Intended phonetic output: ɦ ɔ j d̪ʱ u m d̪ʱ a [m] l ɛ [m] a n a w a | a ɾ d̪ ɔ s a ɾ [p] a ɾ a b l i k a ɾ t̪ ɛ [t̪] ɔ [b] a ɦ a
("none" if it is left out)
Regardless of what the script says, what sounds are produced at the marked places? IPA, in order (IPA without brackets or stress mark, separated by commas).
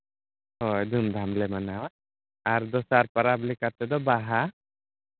m, m, p, d̪, b